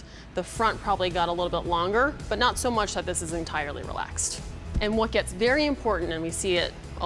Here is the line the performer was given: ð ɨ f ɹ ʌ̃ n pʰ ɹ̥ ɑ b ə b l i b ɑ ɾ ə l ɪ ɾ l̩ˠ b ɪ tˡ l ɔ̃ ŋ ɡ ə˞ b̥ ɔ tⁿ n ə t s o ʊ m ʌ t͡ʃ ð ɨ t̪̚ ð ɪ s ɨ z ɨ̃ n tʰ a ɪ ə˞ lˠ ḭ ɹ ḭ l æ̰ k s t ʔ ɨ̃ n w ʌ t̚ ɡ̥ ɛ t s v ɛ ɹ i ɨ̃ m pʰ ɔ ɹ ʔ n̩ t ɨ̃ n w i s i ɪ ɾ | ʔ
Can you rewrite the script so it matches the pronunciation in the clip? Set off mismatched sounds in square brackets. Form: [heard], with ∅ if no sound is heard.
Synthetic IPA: ð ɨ f ɹ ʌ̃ n pʰ ɹ̥ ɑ b ə b l i [ɡ] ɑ ɾ ə l ɪ ɾ l̩ˠ b ɪ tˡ l ɔ̃ ŋ ɡ ə˞ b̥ [ʌ] tⁿ n ə t s o ʊ m ʌ t͡ʃ ð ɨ t̪̚ ð ɪ s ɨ z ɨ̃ n tʰ a ɪ ə˞ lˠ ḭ ɹ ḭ l æ̰ k s t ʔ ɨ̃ n w ʌ t̚ ɡ̥ ɛ t s v ɛ ɹ i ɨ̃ m pʰ ɔ ɹ ʔ n̩ t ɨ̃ n w i s i ɪ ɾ | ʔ